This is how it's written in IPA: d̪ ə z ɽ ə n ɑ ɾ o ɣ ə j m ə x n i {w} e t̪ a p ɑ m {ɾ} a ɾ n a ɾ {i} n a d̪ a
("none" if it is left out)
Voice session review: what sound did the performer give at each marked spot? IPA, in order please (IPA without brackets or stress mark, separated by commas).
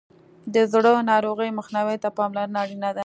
w, l, i